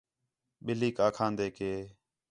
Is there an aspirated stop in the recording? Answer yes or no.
yes